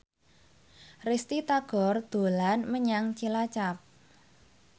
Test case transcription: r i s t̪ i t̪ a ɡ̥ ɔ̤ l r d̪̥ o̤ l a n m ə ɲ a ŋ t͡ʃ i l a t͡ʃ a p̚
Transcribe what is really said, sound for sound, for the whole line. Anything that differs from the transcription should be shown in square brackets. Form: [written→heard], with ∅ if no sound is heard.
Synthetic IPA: r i s t̪ i t̪ a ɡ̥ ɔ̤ [l→∅] r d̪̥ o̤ l a n m ə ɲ a ŋ t͡ʃ i l a t͡ʃ a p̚